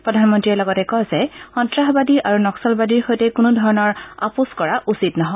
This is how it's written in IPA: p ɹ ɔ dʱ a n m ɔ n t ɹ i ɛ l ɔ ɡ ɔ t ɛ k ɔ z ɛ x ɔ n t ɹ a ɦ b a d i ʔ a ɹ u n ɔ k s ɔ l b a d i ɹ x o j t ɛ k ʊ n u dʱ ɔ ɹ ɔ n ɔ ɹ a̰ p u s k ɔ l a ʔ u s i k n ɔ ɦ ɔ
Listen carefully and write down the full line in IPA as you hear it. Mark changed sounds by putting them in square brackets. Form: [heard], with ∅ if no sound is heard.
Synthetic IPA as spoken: p ɹ ɔ dʱ a n m ɔ n t ɹ i ɛ l ɔ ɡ ɔ t ɛ k ɔ z ɛ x ɔ n t ɹ a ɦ b a d i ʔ a ɹ u n ɔ k s ɔ l b a d i ɹ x o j t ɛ k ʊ n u dʱ ɔ ɹ ɔ n ɔ ɹ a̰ p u s k ɔ [ɹ] a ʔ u s i [t] n ɔ ɦ ɔ

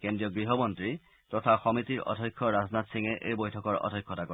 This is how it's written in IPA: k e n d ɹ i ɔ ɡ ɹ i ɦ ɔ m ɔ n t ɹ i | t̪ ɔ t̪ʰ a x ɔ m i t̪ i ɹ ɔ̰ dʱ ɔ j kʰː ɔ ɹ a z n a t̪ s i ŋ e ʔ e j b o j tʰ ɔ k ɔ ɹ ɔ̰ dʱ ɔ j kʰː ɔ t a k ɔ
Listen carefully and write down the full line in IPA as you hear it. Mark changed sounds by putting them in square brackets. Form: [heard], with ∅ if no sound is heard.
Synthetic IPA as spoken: k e n d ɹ i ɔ ɡ ɹ i ɦ ɔ m ɔ n t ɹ i | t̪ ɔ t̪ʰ a x ɔ m i t̪ i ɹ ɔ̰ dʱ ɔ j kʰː ɔ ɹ a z n a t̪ s i ŋ e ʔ e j b o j tʰ ɔ k ɔ ɹ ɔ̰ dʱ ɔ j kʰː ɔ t a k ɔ

